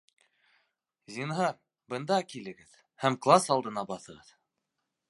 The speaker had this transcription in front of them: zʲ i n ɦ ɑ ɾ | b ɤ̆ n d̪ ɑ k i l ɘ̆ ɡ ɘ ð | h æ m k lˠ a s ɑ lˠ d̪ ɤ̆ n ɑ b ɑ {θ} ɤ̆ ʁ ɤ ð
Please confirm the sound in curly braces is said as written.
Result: yes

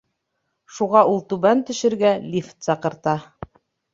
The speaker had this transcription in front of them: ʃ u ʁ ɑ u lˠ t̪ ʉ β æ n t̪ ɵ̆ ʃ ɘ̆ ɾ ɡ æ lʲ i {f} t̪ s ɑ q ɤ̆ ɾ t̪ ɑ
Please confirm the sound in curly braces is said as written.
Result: yes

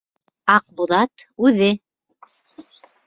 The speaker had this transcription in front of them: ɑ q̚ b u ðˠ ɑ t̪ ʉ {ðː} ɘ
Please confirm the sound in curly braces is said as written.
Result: no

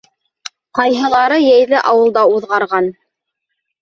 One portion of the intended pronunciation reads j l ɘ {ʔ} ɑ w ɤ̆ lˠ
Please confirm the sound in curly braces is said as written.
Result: yes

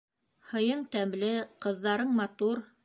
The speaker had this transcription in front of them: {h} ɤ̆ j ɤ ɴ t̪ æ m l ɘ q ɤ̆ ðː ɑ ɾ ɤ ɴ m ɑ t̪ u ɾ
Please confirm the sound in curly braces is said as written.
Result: yes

